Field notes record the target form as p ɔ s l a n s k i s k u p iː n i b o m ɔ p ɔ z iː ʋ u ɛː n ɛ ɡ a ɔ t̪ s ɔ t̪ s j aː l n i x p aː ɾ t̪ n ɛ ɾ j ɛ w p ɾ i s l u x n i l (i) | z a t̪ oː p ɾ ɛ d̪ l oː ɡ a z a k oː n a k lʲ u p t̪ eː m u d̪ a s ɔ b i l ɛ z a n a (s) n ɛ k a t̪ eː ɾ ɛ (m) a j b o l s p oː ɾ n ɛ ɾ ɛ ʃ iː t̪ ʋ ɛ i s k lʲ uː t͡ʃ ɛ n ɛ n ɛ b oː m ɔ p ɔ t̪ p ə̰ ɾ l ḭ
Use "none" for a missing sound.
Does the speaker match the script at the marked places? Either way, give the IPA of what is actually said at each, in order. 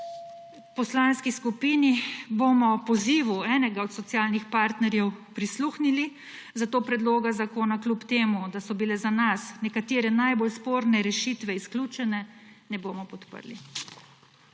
i, s, n

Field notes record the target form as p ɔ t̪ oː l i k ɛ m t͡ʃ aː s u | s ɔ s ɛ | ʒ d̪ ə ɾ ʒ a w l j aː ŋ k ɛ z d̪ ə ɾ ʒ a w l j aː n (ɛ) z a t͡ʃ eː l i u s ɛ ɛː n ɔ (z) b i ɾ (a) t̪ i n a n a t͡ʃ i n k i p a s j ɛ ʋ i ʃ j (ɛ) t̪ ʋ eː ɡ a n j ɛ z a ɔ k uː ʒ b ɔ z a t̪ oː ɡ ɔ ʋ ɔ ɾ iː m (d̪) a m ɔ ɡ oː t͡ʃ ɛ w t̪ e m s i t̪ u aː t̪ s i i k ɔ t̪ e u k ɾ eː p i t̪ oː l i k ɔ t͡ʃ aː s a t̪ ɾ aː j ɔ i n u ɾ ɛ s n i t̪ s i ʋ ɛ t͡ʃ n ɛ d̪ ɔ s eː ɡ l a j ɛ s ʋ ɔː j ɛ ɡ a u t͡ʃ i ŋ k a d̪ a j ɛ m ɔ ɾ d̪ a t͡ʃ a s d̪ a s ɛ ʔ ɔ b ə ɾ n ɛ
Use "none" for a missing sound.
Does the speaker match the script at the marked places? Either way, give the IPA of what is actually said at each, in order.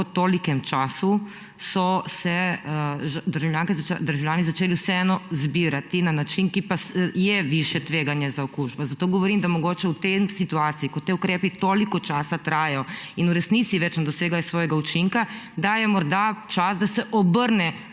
i, z, a, ɛ, d̪

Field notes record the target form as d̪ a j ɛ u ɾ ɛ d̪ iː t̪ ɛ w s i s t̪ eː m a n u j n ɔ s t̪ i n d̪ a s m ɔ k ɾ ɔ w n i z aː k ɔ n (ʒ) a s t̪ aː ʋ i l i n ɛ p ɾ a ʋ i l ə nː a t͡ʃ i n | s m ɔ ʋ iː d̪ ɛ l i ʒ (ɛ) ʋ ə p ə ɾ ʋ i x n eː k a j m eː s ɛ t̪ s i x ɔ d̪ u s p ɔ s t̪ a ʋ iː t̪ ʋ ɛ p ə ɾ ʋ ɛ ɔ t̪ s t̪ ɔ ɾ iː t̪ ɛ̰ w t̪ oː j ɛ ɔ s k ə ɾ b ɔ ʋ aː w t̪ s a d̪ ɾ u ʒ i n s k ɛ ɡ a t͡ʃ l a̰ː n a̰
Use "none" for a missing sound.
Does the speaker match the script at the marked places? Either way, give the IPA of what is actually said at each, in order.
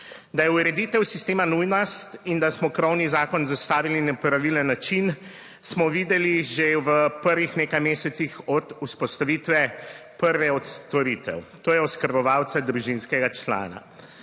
z, e

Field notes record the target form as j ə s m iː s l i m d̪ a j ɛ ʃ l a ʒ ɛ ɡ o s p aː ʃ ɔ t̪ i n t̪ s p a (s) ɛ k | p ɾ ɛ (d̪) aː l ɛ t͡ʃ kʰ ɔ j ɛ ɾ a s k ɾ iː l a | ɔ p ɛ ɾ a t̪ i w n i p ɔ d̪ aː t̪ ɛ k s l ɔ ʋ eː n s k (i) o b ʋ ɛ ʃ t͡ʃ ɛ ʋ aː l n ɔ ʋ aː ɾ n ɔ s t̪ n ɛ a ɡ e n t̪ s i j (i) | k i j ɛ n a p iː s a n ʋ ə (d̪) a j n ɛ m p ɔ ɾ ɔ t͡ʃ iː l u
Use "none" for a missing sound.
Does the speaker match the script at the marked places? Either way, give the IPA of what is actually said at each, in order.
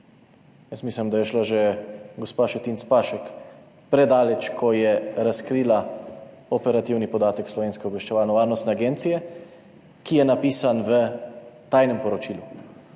ʃ, d̪, ɛ, ɛ, t̪

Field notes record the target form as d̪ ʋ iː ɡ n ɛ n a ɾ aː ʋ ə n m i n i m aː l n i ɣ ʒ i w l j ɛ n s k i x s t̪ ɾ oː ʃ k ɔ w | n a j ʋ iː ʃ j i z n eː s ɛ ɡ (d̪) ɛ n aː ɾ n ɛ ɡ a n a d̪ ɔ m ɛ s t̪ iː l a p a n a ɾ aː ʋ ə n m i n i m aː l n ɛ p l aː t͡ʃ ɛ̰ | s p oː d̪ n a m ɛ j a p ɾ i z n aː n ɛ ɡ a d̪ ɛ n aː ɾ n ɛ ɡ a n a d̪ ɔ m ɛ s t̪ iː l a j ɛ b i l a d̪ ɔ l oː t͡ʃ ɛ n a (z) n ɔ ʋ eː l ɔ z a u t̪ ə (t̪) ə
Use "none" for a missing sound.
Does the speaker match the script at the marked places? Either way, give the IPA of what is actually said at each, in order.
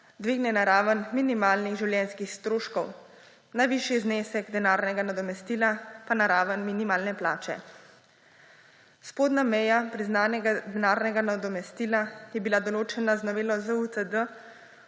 d̪, z, d̪

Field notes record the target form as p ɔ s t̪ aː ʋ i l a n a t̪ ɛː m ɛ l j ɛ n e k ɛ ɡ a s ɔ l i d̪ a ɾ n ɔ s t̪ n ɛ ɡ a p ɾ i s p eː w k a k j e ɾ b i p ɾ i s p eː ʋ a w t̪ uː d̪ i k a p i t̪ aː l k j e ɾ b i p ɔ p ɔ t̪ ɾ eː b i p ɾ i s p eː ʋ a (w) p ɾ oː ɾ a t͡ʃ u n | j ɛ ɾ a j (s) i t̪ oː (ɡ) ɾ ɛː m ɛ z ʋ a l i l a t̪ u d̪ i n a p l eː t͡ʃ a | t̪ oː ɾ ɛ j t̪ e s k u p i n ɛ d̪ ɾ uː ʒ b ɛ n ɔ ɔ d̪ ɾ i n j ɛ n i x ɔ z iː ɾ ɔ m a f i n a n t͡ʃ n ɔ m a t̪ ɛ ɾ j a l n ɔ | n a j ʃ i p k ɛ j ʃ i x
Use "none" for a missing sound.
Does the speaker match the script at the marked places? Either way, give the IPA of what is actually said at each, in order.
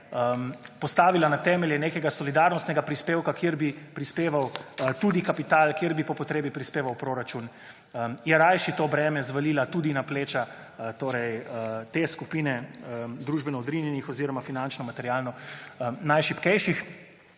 w, ʃ, b

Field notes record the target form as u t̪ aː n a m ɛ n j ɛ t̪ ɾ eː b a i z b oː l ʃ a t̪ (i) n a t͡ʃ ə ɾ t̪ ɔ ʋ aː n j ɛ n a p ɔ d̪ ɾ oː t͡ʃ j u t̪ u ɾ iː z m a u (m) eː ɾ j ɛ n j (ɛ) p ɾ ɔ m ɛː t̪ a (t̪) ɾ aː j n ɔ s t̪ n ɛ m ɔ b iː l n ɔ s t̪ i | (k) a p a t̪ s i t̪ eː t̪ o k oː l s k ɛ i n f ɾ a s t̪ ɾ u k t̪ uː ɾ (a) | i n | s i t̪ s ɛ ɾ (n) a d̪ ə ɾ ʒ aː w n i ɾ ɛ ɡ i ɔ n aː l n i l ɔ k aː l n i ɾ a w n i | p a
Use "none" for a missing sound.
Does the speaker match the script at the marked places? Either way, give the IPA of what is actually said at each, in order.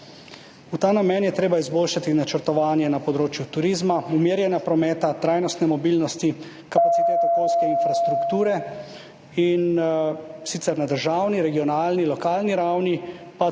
i, m, a, t̪, k, ɛ, n

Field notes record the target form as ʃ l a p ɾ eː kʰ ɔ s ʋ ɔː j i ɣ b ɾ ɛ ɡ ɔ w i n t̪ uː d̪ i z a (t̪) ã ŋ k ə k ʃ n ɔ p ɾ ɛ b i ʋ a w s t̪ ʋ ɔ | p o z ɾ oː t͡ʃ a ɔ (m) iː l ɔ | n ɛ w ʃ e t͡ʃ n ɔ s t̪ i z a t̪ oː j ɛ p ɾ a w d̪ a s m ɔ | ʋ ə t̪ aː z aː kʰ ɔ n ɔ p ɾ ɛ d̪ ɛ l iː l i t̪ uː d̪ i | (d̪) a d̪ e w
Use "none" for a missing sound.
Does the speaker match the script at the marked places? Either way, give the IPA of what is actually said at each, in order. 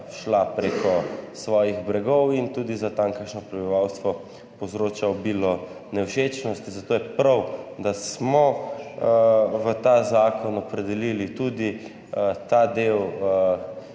t̪, b, t̪

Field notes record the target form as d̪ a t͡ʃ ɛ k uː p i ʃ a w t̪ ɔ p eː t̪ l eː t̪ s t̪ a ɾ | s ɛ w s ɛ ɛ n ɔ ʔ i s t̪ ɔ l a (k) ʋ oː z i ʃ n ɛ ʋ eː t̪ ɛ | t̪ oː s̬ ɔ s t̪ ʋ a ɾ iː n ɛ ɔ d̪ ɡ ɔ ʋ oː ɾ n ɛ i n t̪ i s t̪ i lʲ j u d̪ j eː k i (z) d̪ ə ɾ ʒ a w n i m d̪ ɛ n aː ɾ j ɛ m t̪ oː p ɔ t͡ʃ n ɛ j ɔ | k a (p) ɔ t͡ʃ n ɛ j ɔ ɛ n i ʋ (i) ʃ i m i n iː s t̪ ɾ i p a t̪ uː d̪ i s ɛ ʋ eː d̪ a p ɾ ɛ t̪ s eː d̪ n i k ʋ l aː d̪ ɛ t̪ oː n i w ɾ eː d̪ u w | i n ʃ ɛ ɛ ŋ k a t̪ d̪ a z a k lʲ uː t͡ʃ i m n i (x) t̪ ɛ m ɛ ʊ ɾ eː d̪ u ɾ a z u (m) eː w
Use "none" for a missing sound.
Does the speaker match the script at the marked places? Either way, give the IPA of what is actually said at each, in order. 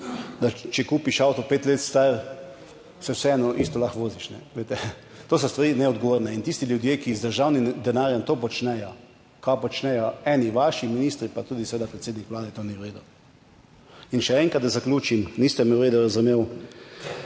x, z, p, a, s, m

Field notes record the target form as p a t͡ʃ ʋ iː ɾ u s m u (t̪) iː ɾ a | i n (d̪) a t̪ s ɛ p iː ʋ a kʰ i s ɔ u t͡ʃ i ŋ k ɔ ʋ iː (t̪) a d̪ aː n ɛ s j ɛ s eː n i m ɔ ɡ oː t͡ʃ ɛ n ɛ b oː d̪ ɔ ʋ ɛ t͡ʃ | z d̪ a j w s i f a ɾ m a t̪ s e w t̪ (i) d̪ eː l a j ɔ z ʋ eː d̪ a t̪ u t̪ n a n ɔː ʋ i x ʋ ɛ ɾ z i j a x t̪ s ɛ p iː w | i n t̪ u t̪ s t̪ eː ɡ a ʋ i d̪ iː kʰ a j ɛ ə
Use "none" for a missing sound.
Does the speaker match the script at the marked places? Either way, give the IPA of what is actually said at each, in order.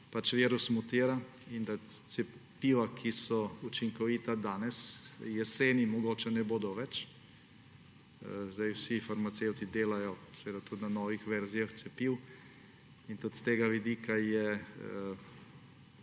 t̪, d̪, t̪, i

